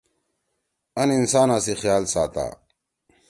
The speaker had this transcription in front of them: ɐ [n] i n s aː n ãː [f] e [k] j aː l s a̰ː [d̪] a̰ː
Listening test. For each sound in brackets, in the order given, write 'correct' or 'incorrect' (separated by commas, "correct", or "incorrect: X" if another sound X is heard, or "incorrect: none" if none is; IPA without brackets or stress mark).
correct, incorrect: s, incorrect: x, incorrect: t̪